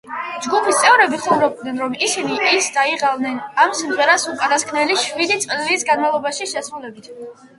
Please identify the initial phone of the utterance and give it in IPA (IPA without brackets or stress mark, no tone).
d͡ʒ